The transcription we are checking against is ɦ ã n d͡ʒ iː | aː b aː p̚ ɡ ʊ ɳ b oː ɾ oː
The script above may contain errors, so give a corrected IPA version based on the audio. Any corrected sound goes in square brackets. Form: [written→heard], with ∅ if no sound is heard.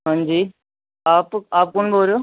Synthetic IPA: ɦ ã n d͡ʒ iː | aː [b→p] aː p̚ [ɡ→k] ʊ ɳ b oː ɾ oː